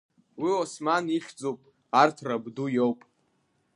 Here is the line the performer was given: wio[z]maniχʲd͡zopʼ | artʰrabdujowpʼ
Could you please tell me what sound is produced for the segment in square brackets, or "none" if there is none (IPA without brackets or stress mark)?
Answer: s